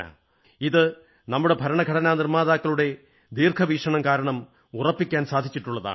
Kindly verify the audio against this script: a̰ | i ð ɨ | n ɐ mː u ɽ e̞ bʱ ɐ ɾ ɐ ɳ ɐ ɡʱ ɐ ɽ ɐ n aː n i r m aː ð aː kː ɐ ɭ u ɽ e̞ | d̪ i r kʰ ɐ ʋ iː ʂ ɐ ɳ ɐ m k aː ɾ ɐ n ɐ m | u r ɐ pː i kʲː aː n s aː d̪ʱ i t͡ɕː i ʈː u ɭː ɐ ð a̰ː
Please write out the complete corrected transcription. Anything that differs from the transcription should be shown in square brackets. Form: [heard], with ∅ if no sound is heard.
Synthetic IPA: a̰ | i ð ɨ | n ɐ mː u ɽ e̞ bʱ ɐ ɾ ɐ ɳ ɐ ɡʱ ɐ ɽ ɐ n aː n i r m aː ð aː kː ɐ ɭ u ɽ e̞ | d̪ [iː] r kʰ ɐ ʋ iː ʂ ɐ ɳ ɐ m k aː ɾ ɐ [ɳ] ɐ m | u r ɐ pː i kʲː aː n s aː d̪ʱ i t͡ɕː i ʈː u ɭː ɐ ð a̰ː